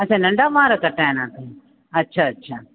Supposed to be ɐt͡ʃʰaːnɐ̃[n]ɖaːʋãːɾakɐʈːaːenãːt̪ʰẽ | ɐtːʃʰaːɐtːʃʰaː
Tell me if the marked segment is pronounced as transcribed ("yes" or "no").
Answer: no